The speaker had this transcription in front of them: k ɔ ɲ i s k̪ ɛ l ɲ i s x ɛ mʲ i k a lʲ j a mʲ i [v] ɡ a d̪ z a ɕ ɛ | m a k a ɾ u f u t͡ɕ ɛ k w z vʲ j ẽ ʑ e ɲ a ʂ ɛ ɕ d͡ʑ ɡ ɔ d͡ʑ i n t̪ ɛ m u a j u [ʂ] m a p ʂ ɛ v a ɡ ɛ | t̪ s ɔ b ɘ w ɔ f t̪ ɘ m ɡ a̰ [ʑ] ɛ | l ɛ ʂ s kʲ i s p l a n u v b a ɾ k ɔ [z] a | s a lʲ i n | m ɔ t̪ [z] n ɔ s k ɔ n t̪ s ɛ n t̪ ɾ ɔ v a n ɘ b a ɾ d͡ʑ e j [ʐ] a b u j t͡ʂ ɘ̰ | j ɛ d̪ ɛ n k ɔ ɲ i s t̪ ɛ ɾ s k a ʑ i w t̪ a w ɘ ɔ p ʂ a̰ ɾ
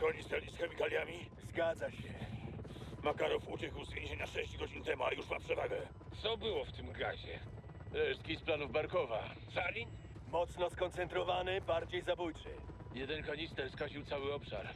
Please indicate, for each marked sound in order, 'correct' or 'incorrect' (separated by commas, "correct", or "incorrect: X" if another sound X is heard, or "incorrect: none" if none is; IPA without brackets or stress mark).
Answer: incorrect: z, correct, correct, incorrect: v, incorrect: s, incorrect: z